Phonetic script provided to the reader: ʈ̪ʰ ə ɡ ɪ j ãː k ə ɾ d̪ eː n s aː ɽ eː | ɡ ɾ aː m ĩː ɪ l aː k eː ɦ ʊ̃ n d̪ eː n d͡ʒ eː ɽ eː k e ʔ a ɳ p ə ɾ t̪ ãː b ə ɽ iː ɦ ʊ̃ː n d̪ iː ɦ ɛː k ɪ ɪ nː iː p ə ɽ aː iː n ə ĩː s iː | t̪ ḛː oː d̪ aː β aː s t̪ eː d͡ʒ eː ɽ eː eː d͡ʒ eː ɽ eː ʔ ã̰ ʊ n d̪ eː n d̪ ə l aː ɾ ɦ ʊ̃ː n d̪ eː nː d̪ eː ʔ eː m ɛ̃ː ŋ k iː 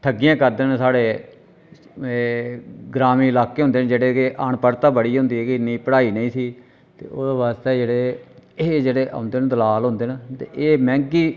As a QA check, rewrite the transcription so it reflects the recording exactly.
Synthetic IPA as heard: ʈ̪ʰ ə ɡ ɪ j ãː k ə ɾ d̪ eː n s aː ɽ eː | ɡ ɾ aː m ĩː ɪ l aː k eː ɦ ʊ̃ n d̪ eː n d͡ʒ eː ɽ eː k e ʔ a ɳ p ə ɾ t̪ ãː b ə ɽ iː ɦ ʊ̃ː n d̪ iː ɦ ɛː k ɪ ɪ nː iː p ə ɽ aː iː n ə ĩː s iː | t̪ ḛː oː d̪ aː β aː s t̪ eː d͡ʒ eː ɽ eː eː d͡ʒ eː ɽ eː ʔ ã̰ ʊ n d̪ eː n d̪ ə l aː l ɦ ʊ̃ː n d̪ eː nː t̪ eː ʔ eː m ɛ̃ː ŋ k iː